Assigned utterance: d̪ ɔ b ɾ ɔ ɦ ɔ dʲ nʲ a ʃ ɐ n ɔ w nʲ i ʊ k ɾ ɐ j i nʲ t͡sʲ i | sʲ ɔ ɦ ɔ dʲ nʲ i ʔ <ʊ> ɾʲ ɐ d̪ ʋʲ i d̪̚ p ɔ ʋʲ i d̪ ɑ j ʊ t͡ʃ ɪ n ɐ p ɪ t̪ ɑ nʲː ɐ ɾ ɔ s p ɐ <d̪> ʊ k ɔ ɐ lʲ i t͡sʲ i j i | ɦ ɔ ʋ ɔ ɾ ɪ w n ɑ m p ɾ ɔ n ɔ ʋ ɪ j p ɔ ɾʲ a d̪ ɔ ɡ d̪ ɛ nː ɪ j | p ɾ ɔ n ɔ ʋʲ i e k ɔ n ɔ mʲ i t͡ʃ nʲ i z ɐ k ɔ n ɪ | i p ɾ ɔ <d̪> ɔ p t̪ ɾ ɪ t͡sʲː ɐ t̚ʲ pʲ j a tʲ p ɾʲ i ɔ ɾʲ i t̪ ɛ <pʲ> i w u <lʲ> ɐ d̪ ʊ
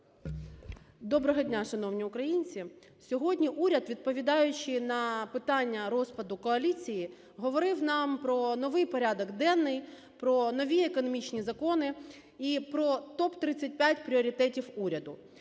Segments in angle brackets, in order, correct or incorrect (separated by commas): incorrect, correct, incorrect, incorrect, incorrect